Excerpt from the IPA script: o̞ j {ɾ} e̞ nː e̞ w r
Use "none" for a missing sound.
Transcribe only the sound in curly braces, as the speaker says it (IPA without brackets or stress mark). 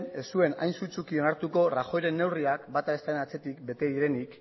ɾ